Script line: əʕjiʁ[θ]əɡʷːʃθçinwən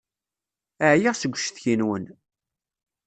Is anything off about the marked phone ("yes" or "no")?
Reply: yes